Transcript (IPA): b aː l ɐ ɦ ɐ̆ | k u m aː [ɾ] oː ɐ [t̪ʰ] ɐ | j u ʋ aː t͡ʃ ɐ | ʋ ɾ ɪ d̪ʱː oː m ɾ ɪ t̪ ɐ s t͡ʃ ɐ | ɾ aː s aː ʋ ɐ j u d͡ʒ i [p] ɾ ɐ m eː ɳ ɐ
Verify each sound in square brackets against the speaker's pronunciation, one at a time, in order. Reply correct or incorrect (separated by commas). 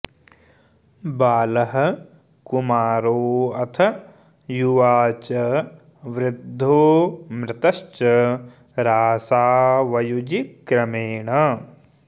correct, correct, incorrect